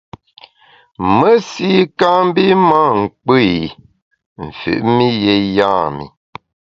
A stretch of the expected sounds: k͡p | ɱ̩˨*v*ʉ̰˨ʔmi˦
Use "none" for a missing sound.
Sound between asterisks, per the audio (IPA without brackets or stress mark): f